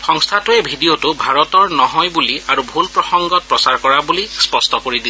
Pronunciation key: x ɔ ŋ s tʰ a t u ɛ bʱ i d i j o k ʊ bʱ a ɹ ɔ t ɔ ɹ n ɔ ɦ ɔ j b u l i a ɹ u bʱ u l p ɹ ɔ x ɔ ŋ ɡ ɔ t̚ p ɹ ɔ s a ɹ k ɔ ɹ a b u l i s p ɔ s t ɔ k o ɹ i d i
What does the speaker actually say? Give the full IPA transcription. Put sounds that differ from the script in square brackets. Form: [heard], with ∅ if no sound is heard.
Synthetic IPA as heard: x ɔ ŋ s tʰ a t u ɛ bʱ i d i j o [t] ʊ bʱ a ɹ ɔ t ɔ ɹ n ɔ ɦ ɔ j b u l i a ɹ u bʱ u l p ɹ ɔ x ɔ ŋ ɡ ɔ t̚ p ɹ ɔ s a ɹ k ɔ ɹ a b u l i s p ɔ s t ɔ k o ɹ i d i